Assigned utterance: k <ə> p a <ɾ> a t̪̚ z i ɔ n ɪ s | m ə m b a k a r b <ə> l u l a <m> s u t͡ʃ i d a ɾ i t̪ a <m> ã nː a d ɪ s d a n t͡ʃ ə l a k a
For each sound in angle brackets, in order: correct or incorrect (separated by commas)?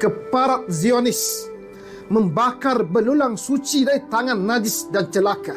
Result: correct, correct, correct, incorrect, incorrect